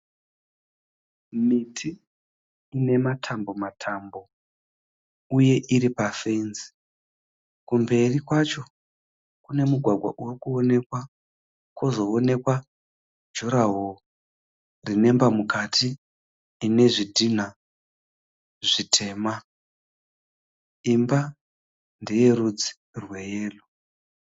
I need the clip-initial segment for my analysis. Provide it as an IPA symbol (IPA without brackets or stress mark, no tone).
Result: m